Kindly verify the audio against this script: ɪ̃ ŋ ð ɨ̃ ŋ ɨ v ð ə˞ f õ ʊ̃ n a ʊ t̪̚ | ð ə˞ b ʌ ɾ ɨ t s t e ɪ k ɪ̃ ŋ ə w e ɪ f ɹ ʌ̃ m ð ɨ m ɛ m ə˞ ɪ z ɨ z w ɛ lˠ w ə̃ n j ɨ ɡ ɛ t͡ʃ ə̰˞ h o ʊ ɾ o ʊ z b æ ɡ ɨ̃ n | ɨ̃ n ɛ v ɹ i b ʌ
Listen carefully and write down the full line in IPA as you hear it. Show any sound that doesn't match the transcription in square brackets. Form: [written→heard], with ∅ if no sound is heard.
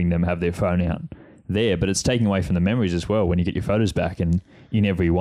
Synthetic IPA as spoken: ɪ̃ ŋ ð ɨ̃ [ŋ→m] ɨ v ð ə˞ f õ ʊ̃ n a ʊ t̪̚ | ð ə˞ b ʌ ɾ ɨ t s [t→tʰ] e ɪ k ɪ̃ ŋ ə w e ɪ f ɹ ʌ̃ m ð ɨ m ɛ m ə˞ [ɪ→i] z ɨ z w ɛ lˠ w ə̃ n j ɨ ɡ ɛ t͡ʃ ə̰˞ [h→f] o ʊ ɾ o ʊ z b æ [ɡ→k] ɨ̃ n | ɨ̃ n ɛ v ɹ i [b→w] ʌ